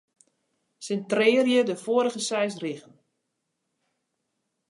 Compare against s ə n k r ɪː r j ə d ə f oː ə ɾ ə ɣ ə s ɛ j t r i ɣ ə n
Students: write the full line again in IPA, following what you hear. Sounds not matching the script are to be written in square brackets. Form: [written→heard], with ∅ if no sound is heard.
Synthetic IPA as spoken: s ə n [k→t] r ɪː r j ə d ə f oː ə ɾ ə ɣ ə s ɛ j [t→s] r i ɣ ə n